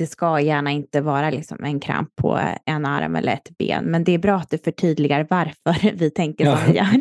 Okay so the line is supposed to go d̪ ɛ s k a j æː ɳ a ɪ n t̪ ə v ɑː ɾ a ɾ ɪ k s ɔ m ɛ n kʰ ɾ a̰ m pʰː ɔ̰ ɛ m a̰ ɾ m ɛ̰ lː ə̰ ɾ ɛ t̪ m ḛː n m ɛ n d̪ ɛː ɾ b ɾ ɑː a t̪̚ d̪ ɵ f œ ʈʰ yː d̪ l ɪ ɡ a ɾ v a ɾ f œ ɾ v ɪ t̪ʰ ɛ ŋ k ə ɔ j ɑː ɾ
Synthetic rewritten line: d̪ ɛ s k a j æː ɳ a ɪ n t̪ ə v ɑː ɾ a l ɪ k s ɔ m ɛ n kʰ ɾ a̰ m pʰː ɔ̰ ɛ n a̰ ɾ m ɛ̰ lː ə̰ ɾ ɛ t̪ b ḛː n m ɛ n d̪ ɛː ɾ b ɾ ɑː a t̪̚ d̪ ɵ f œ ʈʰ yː d̪ l ɪ ɡ a ɾ v a ɾ f œ ɾ v ɪ t̪ʰ ɛ ŋ k ə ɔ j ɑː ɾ